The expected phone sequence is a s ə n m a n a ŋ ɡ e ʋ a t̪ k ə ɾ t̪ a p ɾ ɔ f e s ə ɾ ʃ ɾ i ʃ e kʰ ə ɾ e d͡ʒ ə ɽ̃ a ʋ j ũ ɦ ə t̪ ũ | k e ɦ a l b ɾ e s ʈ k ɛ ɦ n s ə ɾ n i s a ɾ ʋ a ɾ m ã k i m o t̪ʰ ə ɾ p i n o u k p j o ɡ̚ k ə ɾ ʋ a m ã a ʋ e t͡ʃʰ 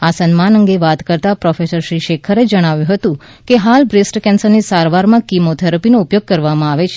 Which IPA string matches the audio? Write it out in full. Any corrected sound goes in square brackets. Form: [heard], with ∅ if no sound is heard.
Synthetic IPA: a s ə n m a n [ə] ŋ ɡ e ʋ a t̪ k ə ɾ t̪ a p ɾ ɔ f e s ə ɾ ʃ ɾ i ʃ e kʰ ə ɾ e d͡ʒ ə ɽ̃ a ʋ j ũ ɦ ə t̪ ũ | k e ɦ a l b ɾ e s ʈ k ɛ [∅] n s ə ɾ n i s a ɾ ʋ a ɾ m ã k i m o t̪ʰ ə ɾ p i n o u [∅] p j o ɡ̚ k ə ɾ ʋ a m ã a ʋ e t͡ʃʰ